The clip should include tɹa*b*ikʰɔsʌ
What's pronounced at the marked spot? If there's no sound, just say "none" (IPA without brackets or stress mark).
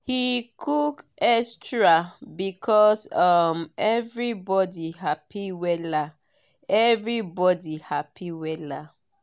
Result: b